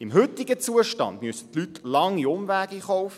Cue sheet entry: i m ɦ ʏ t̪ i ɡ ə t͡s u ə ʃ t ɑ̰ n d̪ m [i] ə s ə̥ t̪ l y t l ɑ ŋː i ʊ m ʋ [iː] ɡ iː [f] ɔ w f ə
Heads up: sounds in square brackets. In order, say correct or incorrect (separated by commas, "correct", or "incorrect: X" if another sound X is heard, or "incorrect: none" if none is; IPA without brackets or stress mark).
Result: incorrect: y, incorrect: æː, incorrect: χ